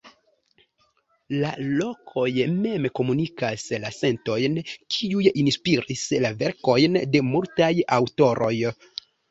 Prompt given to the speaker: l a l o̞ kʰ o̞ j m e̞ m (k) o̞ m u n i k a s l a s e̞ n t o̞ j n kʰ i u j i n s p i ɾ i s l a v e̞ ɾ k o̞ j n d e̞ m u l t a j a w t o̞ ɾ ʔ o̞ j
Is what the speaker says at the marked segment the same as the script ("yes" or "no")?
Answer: yes